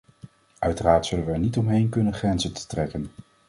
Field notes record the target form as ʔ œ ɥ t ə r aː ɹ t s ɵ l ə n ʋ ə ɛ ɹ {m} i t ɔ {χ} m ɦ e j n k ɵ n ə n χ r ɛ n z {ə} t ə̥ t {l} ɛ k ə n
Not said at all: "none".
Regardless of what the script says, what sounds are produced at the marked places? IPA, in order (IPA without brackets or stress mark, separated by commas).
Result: n, none, ə, r